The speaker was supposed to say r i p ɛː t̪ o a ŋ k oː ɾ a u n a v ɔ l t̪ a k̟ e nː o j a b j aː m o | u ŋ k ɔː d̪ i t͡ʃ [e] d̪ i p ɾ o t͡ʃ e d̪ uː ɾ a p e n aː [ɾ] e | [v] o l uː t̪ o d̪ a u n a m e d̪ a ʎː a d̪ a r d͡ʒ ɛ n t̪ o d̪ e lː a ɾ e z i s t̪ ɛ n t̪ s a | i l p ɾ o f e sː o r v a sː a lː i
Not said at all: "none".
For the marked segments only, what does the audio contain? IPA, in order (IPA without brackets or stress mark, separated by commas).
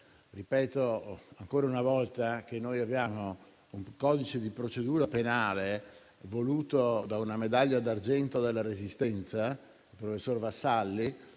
e, l, v